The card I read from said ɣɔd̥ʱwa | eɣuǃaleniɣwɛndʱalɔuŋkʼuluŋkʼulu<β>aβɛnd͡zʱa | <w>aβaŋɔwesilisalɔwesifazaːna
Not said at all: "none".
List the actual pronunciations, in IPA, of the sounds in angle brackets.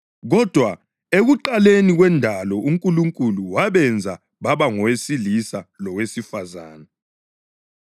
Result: w, β

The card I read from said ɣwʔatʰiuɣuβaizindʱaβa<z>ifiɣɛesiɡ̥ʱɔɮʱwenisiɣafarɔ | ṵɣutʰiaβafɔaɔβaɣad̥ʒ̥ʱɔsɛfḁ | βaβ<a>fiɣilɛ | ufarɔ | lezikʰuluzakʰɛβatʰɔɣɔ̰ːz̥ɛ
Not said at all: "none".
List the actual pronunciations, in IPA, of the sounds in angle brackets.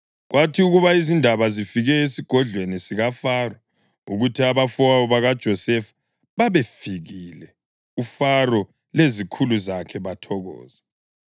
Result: z, e

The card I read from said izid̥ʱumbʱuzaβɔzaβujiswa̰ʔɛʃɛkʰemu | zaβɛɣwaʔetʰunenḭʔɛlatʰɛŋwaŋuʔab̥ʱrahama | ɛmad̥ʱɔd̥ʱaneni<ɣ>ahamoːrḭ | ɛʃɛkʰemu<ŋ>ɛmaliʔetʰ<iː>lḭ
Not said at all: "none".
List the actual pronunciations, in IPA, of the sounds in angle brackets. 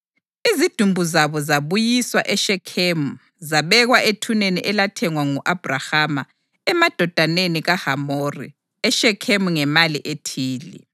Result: ɣ, ŋ, iː

